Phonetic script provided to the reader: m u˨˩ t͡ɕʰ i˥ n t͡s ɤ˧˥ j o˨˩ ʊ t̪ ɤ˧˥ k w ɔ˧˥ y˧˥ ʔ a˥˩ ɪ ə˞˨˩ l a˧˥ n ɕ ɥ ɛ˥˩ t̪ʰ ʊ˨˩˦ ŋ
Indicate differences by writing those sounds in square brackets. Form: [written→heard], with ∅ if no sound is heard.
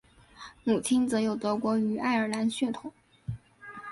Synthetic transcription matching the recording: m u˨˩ t͡ɕʰ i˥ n t͡s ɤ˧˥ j o˨˩ ʊ t̪ ɤ˧˥ k w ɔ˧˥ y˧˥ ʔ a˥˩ ɪ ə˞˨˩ l a˧˥ n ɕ ɥ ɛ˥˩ t̪ʰ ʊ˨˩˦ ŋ